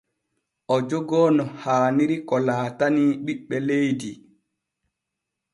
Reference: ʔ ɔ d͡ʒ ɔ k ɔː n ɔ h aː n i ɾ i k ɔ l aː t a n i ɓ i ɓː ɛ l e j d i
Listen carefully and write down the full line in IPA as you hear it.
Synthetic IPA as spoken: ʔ ɔ d͡ʒ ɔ ɡ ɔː n ɔ h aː n i ɾ i k ɔ l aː t a n i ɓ i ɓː ɛ l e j d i